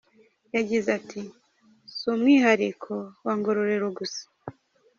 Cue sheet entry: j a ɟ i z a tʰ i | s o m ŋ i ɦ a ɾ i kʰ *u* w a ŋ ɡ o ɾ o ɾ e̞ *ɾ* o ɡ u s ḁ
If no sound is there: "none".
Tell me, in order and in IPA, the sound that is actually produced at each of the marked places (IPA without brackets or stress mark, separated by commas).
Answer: o, ɾ